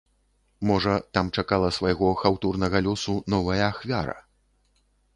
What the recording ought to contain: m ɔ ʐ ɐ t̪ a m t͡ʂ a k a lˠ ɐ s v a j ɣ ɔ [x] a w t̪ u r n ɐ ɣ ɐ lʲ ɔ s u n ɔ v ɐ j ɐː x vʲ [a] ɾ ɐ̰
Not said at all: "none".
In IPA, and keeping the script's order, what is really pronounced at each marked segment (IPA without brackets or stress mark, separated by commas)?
x, a